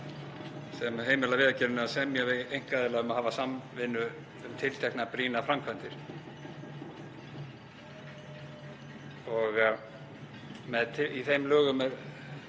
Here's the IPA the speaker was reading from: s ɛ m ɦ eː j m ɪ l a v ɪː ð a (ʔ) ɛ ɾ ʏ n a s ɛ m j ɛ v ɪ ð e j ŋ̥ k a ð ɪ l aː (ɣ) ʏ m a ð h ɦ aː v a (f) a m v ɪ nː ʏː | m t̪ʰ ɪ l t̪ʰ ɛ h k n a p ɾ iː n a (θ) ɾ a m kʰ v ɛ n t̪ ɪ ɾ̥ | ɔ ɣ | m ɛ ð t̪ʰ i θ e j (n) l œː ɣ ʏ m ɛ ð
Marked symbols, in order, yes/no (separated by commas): no, yes, no, no, no